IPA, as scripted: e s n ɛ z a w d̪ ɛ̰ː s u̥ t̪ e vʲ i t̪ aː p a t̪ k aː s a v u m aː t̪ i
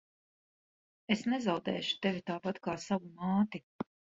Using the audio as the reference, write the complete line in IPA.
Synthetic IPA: e s n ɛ z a w d̪ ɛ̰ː ʃ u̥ t̪ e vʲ i t̪ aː p a t̪ k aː s a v u m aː t̪ i